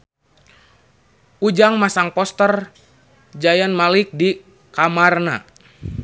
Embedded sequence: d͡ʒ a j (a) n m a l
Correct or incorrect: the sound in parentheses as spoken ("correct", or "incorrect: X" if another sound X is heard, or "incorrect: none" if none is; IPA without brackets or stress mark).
correct